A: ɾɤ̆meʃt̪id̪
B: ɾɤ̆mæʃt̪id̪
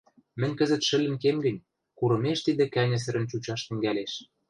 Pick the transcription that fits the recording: A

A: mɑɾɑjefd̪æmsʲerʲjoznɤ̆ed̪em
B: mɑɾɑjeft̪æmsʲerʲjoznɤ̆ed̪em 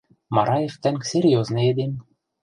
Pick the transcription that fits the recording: B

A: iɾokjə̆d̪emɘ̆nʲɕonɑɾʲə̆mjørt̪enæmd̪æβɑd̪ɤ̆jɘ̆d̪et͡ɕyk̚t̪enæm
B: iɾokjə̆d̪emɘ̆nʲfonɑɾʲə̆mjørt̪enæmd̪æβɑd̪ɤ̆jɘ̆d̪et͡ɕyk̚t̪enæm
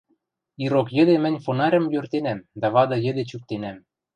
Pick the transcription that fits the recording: B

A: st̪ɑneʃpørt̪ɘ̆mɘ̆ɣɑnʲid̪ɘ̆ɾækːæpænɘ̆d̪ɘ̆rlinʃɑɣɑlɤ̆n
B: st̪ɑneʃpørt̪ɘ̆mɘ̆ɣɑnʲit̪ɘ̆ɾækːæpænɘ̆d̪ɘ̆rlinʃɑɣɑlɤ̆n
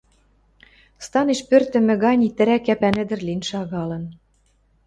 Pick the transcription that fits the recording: B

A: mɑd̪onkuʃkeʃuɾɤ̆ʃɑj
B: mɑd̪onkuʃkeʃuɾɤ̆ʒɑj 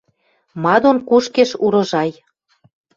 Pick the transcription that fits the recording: B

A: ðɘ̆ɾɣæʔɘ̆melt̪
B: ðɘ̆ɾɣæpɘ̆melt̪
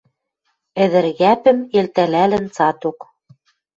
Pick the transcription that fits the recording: B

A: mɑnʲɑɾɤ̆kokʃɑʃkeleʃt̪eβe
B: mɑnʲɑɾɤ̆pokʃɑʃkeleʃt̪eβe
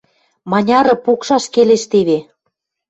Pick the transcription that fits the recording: B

